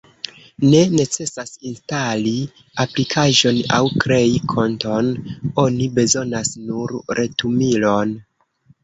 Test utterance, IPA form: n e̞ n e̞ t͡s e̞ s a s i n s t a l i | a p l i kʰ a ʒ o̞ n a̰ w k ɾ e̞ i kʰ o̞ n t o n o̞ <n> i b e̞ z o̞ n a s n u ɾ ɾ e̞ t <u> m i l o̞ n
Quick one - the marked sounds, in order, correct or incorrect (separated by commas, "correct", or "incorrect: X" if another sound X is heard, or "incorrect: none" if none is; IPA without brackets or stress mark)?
correct, correct